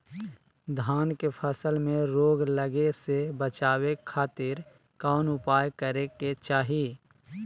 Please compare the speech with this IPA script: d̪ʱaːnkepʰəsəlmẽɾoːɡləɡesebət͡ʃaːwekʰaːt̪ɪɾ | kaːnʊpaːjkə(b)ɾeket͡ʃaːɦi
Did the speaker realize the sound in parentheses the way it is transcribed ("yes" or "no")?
no